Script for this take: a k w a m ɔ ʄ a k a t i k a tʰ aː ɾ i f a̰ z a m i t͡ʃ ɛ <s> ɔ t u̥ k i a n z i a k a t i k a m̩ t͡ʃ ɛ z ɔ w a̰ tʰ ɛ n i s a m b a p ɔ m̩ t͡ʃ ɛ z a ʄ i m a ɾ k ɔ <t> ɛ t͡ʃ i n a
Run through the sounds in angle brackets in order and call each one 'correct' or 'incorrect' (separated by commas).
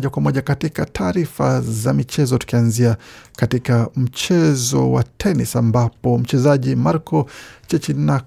incorrect, incorrect